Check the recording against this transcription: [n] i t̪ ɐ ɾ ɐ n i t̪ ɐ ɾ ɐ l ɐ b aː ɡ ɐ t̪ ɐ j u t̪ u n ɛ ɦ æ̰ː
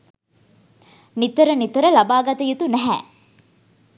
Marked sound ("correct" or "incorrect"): correct